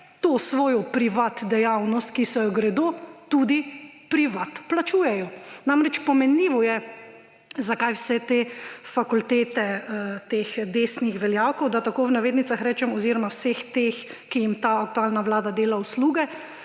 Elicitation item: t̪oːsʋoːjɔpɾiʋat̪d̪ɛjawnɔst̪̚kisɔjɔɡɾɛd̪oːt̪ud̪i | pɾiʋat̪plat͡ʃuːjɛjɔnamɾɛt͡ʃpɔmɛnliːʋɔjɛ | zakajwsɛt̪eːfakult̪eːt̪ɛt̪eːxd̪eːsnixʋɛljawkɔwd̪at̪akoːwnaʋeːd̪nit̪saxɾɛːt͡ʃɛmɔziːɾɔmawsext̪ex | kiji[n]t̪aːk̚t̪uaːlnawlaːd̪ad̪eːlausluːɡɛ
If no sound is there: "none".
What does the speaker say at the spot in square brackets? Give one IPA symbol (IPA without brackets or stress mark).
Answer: m